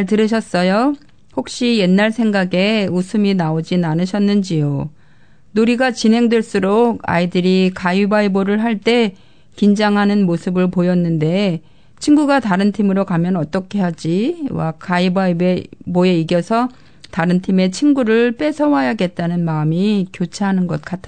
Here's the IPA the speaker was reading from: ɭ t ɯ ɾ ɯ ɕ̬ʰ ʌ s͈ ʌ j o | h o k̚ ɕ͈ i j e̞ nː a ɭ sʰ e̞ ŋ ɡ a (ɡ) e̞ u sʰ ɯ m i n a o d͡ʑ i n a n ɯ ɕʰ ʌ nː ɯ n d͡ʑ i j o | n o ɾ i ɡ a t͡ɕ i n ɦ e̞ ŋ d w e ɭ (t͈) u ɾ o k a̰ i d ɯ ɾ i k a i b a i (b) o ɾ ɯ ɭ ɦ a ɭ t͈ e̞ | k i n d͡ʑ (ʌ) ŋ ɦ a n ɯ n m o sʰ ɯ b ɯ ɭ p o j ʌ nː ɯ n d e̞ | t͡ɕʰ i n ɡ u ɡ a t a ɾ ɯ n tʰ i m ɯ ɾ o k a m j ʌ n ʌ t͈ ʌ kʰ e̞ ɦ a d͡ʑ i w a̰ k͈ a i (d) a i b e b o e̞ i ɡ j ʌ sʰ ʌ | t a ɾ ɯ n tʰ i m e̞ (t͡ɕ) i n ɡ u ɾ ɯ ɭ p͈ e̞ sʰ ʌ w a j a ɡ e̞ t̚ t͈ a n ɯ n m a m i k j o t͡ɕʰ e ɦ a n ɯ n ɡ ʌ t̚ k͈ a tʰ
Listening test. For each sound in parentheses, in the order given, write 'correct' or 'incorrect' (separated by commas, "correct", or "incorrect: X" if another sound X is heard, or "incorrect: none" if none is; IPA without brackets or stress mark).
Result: correct, incorrect: s͈, correct, incorrect: a, incorrect: b, incorrect: t͡ɕʰ